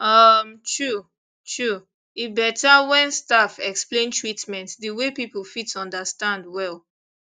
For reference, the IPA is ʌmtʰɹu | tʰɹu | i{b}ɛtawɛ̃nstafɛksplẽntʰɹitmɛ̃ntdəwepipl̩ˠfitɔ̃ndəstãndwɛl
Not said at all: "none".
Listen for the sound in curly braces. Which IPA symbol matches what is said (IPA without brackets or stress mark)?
b